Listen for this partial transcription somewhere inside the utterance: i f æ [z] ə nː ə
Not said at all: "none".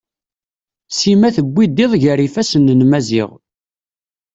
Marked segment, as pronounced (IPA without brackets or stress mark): s